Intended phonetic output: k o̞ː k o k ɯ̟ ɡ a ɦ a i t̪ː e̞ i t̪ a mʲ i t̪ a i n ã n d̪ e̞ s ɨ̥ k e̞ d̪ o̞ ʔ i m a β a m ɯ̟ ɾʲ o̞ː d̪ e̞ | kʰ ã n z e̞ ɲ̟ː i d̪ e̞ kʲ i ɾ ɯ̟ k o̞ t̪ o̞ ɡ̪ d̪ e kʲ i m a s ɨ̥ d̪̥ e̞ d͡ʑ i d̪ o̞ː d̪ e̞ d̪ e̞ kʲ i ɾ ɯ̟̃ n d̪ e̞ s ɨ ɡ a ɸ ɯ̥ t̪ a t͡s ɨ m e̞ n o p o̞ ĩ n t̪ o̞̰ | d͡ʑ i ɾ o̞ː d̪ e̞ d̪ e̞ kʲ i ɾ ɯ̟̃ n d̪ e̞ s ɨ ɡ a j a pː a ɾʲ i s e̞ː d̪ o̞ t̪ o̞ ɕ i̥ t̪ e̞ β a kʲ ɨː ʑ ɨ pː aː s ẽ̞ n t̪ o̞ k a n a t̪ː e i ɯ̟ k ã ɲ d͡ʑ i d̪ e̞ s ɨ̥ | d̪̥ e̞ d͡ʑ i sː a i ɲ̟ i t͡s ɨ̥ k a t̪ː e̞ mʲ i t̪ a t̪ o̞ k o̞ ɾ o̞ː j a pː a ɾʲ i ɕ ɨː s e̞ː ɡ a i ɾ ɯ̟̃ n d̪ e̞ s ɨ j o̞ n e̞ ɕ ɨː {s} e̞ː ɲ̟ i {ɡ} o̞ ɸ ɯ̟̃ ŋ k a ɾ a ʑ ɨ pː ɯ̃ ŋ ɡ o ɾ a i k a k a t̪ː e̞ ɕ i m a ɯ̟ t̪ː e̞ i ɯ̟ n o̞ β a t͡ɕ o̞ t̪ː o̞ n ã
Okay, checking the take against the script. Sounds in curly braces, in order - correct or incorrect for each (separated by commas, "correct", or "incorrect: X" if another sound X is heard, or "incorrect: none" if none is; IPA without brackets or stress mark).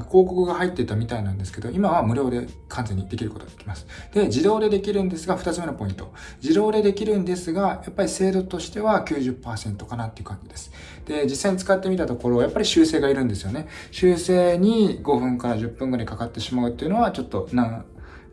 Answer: correct, correct